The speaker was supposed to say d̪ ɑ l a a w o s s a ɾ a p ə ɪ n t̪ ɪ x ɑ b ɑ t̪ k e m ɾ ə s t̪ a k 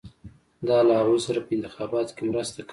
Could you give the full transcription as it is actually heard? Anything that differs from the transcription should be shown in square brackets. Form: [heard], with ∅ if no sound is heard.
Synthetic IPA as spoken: d̪ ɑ l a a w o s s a ɾ a p ə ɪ n t̪ ɪ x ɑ b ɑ t̪ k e m ɾ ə s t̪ a k

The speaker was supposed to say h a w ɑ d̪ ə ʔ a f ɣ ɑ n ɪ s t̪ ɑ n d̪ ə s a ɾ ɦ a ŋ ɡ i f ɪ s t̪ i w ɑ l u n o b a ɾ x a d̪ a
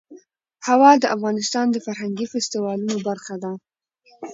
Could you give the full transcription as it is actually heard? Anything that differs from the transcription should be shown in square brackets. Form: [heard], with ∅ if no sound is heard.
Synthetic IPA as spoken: h a w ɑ d̪ ə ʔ a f ɣ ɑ n ɪ s t̪ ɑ n d̪ ə [f] a ɾ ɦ a ŋ ɡ i f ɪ s t̪ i w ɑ l u n o b a ɾ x a d̪ a

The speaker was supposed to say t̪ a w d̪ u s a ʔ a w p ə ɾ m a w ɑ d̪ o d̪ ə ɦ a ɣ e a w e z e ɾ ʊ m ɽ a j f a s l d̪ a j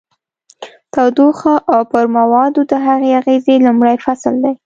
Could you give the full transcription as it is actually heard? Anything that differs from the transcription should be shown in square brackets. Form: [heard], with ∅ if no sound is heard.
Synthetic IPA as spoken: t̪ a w d̪ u [x] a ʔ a w p ə ɾ m a w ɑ d̪ o d̪ ə ɦ a ɣ e a [ɣ] e z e [l] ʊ m ɽ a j f a s l d̪ a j

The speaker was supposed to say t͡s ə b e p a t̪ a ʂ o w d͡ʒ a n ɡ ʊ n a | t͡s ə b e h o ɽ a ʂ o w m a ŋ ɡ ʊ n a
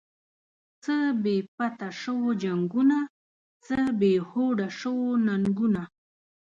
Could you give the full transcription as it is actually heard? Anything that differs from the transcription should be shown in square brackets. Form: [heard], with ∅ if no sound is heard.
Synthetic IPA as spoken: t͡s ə b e p a t̪ a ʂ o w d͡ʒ a [ŋ] ɡ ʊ n a | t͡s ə b e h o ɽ a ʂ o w [n] a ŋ ɡ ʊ n a

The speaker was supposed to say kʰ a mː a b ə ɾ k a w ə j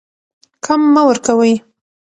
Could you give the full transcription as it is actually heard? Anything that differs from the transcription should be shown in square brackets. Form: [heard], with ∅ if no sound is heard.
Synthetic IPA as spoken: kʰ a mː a [w] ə ɾ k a w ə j

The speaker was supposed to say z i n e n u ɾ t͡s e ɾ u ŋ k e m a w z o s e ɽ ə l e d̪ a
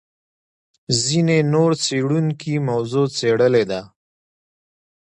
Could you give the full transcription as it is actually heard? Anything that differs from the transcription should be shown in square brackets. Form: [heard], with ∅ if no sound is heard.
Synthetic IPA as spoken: z i n e n [o] ɾ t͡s e [ɽ] u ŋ k [i] m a w z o [t͡s] e ɽ ə l e d̪ a

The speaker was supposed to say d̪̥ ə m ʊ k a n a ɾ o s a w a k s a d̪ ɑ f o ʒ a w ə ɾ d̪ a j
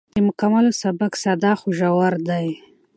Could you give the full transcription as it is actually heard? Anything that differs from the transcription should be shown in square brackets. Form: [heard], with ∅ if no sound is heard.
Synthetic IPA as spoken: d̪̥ ə m ʊ k a [m] a [l] o s a [b] a k s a d̪ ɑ [x] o ʒ a w [a] ɾ d̪ a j

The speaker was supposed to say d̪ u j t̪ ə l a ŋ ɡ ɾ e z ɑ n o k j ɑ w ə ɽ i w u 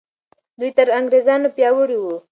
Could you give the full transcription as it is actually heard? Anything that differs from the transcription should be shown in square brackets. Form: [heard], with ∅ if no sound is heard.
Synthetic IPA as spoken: d̪ u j t̪ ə [ɾ] a ŋ ɡ ɾ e z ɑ n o [p] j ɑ w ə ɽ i w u

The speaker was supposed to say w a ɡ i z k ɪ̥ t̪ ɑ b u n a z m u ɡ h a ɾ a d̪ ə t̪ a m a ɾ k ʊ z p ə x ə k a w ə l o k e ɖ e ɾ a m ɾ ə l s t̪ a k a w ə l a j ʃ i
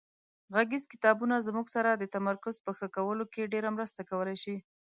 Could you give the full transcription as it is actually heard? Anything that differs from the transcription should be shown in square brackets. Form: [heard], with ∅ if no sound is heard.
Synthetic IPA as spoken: [ɣ] a ɡ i z k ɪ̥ t̪ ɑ b u n a z m u ɡ [s] a ɾ a d̪ ə t̪ a m a ɾ k ʊ z p ə x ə k a w ə l o k e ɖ e ɾ a m ɾ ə [∅] s t̪ a k a w ə l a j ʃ i

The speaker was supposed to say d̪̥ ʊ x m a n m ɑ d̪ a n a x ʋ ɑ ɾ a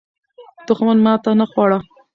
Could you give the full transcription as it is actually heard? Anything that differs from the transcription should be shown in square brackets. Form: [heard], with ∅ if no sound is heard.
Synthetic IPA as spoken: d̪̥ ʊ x m a n m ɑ [t̪] a n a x [w] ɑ [ɽ] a

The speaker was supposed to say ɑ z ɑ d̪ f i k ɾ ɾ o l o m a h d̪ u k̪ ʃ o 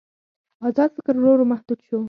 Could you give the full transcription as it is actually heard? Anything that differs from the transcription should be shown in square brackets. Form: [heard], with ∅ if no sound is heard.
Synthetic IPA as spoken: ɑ z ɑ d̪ f [ɪ] k ɾ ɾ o [ɾ] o m a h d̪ u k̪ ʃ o

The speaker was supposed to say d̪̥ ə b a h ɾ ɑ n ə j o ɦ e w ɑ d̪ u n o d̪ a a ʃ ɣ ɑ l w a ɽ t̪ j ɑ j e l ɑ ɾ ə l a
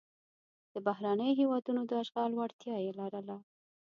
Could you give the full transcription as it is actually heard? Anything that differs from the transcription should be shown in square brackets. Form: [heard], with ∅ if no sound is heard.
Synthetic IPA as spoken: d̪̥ ə b a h ɾ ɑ n ə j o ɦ e w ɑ d̪ u n o d̪ [ə] a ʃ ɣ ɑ l w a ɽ t̪ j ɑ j e l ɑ ɾ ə l a

